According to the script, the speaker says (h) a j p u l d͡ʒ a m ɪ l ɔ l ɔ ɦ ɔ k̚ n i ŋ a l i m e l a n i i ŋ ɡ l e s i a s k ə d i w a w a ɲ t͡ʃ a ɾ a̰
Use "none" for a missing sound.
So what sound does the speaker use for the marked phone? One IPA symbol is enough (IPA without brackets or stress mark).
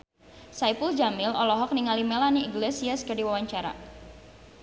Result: s